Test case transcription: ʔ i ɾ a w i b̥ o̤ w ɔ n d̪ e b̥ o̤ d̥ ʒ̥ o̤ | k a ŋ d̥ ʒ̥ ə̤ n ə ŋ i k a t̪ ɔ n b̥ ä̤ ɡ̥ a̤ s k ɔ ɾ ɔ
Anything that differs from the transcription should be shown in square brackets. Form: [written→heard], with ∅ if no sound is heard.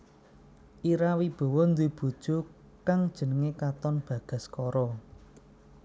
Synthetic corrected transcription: ʔ i ɾ a w i b̥ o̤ w ɔ n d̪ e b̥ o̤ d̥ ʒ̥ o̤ | k a ŋ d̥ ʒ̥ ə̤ n ə ŋ [i→e] k a t̪ ɔ n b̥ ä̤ ɡ̥ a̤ s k ɔ ɾ ɔ